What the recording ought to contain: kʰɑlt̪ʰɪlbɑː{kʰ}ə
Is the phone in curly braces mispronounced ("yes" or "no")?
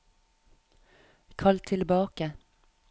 yes